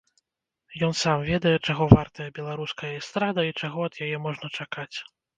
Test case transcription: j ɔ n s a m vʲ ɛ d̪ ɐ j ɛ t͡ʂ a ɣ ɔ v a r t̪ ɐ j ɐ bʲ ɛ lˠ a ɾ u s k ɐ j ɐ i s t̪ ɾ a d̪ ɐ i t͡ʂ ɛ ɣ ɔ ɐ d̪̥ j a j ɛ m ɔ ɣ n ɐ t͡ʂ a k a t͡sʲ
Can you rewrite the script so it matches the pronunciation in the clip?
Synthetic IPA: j ɔ n s a m vʲ ɛ d̪ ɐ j ɛ t͡ʂ a ɣ ɔ v a r t̪ ɐ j ɐ bʲ ɛ lˠ a ɾ u s k ɐ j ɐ i s t̪ ɾ a d̪ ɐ i t͡ʂ a ɣ ɔ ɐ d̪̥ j a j ɛ m ɔ ʐ n ɐ t͡ʂ a k a t͡sʲ